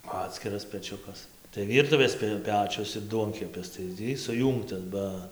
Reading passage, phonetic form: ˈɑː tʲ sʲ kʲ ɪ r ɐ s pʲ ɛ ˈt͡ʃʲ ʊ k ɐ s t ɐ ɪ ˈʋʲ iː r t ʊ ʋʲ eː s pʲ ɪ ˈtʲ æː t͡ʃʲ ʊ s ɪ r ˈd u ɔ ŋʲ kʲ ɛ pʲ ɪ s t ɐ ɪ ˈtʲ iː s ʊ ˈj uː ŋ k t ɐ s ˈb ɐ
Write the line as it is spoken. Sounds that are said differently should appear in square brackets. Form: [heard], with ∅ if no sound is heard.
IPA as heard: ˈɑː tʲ sʲ kʲ ɪ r ɐ s pʲ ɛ ˈt͡ʃʲ ʊ k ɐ s t ɐ ɪ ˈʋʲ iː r t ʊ ʋʲ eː s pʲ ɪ [ˈpʲ] æː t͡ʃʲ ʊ s ɪ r ˈd u ɔ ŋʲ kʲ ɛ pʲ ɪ s t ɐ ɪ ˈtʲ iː s ʊ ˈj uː ŋ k t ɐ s ˈb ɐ